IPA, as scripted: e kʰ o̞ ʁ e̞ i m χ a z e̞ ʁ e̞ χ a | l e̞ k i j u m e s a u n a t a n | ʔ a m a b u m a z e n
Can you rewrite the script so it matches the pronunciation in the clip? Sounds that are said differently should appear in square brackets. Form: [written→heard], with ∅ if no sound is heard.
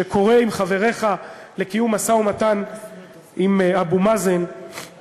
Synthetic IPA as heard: e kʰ o̞ ʁ e̞ i m χ a [z→v] e̞ ʁ e̞ χ a | l e̞ k i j u m [e→a] s a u [n→m] a t a n | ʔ [a→i] m a b u m a z e n